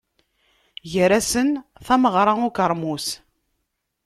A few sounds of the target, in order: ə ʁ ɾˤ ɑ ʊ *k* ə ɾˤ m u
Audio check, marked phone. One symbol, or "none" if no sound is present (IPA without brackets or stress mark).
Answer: k